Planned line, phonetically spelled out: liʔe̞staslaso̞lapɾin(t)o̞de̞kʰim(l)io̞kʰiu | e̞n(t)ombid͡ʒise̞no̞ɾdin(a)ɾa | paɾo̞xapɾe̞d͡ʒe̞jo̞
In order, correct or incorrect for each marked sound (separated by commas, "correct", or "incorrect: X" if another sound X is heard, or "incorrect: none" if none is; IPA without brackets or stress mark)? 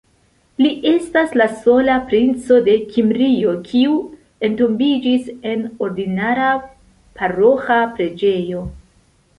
incorrect: t͡s, incorrect: ɾ, correct, correct